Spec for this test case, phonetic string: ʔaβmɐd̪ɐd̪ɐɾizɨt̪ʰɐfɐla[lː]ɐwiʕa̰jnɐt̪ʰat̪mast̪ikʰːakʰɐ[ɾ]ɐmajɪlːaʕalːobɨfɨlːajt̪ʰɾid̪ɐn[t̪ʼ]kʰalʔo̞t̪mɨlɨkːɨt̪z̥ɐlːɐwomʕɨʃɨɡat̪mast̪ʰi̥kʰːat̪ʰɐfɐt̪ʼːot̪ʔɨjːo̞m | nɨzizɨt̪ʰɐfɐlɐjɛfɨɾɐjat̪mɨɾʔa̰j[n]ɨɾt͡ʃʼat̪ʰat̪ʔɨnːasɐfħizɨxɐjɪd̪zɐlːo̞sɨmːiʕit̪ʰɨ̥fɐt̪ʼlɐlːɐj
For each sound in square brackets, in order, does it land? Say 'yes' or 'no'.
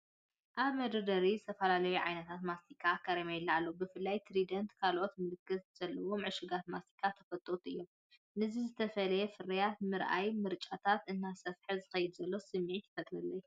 no, yes, no, no

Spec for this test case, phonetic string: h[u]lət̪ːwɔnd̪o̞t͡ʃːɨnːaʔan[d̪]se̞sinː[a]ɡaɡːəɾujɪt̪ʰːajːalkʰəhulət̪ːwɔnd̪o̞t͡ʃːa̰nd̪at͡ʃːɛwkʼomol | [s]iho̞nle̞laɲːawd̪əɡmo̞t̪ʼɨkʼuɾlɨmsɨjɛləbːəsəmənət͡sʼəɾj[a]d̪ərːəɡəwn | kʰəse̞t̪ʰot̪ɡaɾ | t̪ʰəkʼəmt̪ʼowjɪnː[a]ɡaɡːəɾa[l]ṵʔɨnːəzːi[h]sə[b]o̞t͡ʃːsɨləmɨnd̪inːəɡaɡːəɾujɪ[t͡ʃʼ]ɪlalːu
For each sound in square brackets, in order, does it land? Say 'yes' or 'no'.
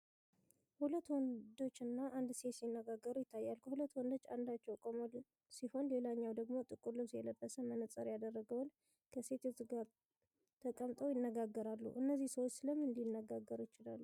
yes, yes, no, yes, yes, no, no, yes, no, no

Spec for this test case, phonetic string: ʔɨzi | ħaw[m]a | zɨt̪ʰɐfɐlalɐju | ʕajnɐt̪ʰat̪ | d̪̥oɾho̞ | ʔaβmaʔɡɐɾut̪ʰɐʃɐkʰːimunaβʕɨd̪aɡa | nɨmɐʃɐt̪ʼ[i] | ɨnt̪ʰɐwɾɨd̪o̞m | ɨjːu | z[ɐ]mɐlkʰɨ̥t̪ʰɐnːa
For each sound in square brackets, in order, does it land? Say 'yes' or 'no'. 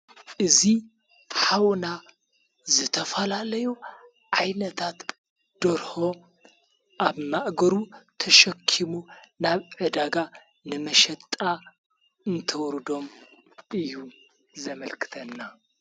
no, no, yes

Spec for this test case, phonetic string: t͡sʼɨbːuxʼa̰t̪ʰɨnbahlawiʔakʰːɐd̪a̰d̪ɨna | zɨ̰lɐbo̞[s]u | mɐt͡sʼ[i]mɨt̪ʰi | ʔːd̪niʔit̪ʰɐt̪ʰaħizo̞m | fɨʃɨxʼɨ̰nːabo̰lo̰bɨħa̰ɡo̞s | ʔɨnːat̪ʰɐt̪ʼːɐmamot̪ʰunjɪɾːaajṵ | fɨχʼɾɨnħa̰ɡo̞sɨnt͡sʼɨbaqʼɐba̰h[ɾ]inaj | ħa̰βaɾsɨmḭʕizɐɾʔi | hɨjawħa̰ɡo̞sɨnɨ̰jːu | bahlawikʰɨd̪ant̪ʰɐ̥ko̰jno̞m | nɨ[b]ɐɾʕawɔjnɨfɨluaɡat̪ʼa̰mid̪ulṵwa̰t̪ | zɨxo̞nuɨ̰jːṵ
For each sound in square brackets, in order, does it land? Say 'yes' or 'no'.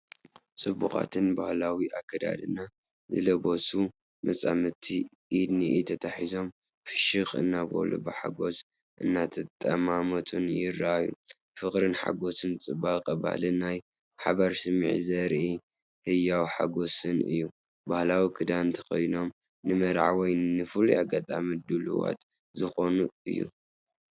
yes, no, no, no

